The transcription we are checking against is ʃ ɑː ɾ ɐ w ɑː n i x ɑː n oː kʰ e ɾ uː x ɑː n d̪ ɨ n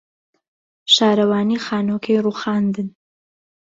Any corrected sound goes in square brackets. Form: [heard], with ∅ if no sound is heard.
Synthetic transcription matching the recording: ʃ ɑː ɾ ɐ w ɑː n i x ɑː n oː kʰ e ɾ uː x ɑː n d̪ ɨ n